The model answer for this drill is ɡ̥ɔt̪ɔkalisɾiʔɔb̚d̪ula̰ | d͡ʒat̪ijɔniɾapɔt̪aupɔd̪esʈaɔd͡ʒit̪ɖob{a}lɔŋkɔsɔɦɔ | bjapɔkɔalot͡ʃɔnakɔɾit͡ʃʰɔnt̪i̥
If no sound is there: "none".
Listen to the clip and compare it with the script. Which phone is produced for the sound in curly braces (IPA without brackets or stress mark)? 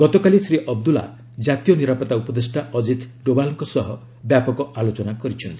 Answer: a